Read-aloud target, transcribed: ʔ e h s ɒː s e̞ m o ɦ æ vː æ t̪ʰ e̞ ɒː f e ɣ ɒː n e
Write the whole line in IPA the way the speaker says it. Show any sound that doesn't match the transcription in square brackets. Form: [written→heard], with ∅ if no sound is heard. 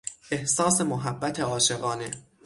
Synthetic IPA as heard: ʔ e h s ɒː s e̞ m o ɦ æ [vː→bː] æ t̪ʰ e̞ ɒː [f→ʃ] e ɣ ɒː n e